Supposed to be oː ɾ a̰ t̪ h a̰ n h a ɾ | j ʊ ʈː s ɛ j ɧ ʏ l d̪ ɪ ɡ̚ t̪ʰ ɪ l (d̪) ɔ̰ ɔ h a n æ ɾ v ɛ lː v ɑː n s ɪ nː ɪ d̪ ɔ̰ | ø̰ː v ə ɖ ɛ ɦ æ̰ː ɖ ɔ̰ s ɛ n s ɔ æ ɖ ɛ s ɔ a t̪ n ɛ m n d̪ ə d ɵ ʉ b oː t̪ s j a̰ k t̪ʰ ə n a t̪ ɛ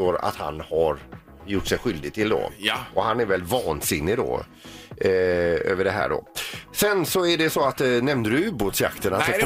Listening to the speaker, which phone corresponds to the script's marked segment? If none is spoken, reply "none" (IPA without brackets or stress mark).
d̪